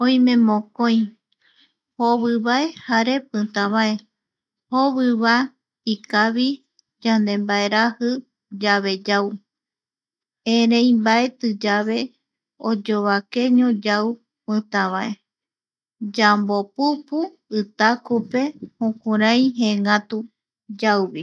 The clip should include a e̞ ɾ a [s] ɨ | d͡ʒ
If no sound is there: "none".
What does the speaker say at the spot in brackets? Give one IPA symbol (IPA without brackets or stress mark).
h